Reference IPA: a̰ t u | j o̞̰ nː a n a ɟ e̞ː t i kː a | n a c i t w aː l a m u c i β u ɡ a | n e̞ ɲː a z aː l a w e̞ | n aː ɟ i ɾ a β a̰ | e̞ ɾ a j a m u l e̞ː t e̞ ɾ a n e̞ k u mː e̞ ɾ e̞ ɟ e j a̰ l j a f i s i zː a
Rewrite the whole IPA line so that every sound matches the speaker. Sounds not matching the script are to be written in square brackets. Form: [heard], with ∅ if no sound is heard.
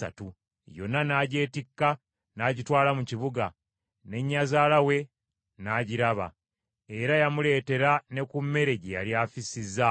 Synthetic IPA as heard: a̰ t u | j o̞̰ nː a n a ɟ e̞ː t i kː a | n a [ɟ] i t w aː l a m u c i β u ɡ a | n e̞ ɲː a z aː l a w e̞ | n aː ɟ i ɾ a β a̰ | e̞ ɾ a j a m u l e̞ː t e̞ ɾ a n e̞ k u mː e̞ ɾ e̞ ɟ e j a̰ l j a f i s i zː a

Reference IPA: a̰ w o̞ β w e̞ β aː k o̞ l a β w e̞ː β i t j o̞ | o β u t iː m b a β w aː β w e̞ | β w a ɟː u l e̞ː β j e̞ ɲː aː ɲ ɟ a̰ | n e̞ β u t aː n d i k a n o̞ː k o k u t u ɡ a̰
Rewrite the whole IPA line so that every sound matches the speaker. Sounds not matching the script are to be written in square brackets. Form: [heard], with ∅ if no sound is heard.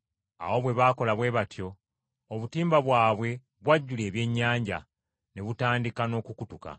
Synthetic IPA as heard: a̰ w o̞ β w e̞ β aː k o̞ l a β w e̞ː β [a] t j o̞ | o β u t iː m b a β w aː β w e̞ | β w a ɟː u l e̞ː β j e̞ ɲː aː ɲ ɟ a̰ | n e̞ β u t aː n d i k a n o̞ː k [u] k u t u [k] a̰

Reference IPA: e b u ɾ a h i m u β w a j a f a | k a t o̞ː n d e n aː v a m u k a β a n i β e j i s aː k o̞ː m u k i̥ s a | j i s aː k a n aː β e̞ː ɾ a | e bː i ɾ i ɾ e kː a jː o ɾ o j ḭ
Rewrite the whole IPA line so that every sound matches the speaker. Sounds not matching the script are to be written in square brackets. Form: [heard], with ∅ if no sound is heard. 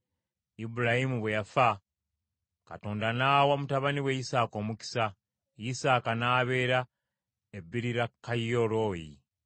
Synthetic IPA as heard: [i] b u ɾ a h i m u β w [e] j a f a | k a t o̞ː n d [a] n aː [w] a m u [t] a β a n i [w] e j i s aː k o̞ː m u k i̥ s a | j i s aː k a n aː β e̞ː ɾ a | e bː i ɾ i ɾ [a] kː a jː o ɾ o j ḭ

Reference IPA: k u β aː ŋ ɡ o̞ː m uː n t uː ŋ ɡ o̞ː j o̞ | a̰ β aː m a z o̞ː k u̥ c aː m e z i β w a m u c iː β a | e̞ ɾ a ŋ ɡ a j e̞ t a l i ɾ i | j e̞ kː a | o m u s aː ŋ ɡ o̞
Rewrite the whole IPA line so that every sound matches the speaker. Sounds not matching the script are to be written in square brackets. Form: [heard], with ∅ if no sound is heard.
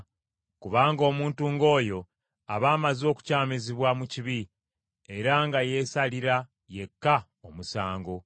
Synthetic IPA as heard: k u β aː ŋ ɡ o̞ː m uː n t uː ŋ ɡ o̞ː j o̞ | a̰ β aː m a z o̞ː k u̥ c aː m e z i β w a m u c [i] β [i] | e̞ ɾ a ŋ ɡ a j e̞ [s] a l i ɾ [a] | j e̞ kː a | o m u s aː ŋ ɡ o̞

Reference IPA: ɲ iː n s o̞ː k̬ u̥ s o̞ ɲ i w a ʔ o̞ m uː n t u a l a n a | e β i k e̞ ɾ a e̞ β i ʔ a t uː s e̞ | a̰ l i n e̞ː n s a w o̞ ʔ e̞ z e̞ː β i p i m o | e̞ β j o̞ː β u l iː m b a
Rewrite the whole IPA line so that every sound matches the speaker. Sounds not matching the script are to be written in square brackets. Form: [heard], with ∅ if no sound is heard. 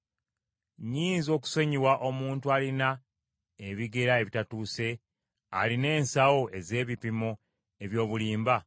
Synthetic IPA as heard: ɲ iː n [z] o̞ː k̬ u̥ s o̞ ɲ i w a ʔ o̞ m uː n t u a l [i] n a | e β i [ɡ] e̞ ɾ a e̞ β i [t] a t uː s e̞ | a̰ l i n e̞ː n s a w o̞ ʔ e̞ z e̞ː β i p i m o | e̞ β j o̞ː β u l iː m b a

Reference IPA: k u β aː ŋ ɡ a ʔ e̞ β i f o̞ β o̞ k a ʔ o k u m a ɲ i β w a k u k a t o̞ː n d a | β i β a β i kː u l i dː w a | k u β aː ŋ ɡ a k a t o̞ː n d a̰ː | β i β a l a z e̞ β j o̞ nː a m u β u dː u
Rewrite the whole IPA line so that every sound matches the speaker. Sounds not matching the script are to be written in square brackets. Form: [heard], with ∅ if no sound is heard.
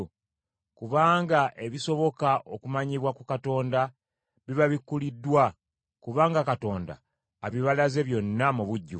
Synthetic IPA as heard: k u β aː ŋ ɡ a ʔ e̞ β i [s] o̞ β o̞ k a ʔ o k u m a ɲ i β w a k u k a t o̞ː n d a | β i β a β i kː u l i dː w a | k u β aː ŋ ɡ a k a t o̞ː n d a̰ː | β i β a l a z e̞ β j o̞ nː a m u β u [ɟː] u

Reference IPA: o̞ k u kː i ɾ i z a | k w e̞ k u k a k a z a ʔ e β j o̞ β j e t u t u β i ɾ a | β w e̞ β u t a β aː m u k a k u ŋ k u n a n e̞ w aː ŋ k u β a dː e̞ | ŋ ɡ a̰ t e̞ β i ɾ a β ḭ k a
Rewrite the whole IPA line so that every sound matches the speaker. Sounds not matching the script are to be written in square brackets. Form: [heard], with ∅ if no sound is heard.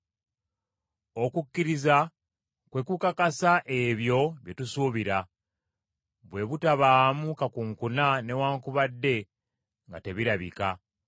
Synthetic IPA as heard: o̞ k u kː i ɾ i z a | k w e̞ k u k a k a [s] a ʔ e β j o̞ β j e t u [s] u β i ɾ a | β w e̞ β u t a β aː m u k a k u ŋ k u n a n e̞ w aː ŋ k u β a dː e̞ | ŋ ɡ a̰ t e̞ β i ɾ a β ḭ k a

